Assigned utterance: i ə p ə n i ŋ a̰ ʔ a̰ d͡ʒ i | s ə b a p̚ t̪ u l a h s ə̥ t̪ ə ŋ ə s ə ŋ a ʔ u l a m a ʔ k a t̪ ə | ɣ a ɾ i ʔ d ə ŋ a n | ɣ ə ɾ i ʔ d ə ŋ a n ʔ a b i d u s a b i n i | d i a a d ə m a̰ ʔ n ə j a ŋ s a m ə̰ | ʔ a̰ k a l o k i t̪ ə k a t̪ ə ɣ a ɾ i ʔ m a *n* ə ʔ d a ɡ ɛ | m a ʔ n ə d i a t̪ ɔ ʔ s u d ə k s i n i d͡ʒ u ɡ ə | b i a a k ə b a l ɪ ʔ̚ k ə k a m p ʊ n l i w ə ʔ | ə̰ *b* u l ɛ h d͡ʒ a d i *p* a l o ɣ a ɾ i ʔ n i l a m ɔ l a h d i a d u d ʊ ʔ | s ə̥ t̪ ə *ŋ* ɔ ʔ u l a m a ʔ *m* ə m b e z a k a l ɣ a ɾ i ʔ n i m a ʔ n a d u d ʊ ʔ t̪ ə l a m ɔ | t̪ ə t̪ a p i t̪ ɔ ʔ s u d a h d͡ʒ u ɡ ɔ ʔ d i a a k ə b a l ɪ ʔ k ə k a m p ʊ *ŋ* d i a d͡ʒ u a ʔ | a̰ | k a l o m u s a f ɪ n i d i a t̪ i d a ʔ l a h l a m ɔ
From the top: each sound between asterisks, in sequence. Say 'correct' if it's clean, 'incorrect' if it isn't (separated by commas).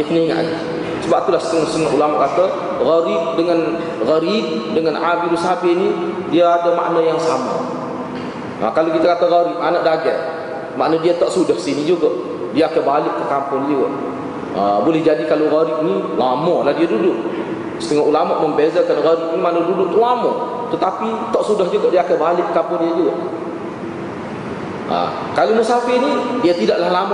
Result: correct, correct, incorrect, correct, correct, incorrect